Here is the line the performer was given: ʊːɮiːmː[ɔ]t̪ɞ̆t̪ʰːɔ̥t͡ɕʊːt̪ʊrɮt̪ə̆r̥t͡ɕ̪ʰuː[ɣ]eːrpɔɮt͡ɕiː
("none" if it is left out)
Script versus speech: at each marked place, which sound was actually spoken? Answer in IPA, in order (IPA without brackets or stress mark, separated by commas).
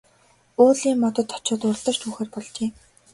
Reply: ɔ, x